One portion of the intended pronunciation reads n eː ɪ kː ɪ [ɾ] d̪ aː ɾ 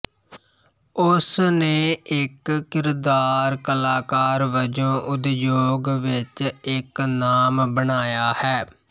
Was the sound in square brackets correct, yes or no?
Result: yes